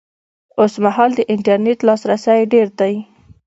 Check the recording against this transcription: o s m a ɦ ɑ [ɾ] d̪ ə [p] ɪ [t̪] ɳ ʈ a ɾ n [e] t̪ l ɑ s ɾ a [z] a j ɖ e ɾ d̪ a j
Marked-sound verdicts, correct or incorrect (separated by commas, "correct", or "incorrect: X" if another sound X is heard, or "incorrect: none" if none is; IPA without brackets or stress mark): incorrect: l, incorrect: ʔ, incorrect: none, correct, incorrect: s